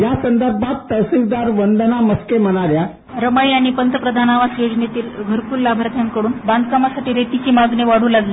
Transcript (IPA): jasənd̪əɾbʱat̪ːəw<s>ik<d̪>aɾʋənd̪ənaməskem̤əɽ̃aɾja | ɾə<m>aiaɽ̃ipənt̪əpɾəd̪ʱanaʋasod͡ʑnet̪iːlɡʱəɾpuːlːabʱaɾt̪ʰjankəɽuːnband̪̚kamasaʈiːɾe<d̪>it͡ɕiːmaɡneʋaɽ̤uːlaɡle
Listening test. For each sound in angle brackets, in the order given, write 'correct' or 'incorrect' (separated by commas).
correct, correct, correct, incorrect